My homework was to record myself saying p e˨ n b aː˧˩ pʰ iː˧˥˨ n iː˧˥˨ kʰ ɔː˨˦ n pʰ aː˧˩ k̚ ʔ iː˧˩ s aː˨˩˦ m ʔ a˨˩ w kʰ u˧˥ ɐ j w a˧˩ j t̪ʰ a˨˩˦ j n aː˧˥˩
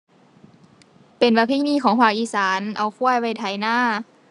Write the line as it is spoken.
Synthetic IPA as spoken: p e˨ n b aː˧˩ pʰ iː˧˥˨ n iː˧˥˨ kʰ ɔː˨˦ ŋ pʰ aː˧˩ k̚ ʔ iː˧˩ s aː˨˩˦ n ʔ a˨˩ w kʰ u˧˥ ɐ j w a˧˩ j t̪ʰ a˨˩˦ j n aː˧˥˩